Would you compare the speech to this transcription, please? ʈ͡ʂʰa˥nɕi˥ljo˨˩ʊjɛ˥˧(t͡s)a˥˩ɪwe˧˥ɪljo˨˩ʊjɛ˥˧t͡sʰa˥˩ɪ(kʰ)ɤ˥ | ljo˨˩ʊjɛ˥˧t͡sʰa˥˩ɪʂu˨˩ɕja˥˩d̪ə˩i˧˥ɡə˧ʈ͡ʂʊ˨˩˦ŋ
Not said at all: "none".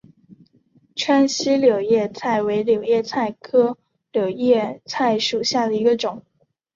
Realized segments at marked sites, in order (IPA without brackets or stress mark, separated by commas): t͡sʰ, kʰ